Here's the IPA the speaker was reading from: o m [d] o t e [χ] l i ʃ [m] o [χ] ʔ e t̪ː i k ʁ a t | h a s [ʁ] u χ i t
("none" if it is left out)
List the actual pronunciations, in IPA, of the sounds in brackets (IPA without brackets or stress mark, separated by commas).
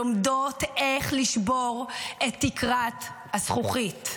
d, χ, b, ʁ, χ